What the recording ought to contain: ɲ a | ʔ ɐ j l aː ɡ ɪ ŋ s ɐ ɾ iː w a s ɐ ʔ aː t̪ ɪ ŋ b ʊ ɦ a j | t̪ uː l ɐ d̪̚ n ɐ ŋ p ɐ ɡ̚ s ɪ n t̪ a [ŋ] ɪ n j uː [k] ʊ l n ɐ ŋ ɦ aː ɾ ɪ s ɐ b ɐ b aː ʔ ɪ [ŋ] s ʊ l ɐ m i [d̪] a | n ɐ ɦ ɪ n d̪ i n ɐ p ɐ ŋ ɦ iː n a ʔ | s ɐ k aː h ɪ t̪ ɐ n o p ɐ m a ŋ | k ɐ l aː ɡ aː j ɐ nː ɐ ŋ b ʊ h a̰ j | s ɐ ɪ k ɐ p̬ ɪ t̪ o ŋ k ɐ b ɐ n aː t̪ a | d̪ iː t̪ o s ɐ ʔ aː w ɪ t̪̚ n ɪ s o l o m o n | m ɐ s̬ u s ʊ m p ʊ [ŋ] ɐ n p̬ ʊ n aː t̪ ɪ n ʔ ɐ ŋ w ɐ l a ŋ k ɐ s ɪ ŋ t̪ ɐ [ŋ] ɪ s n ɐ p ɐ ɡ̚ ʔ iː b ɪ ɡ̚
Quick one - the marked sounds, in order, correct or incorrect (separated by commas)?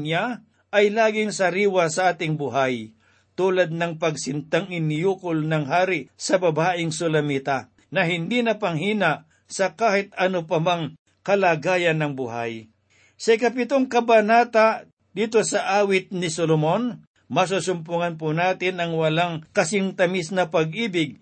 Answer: correct, correct, correct, incorrect, correct, incorrect